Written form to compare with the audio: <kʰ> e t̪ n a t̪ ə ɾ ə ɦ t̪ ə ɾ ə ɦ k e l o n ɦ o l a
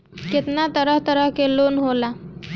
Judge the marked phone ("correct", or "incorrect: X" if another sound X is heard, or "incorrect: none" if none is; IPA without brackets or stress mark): incorrect: k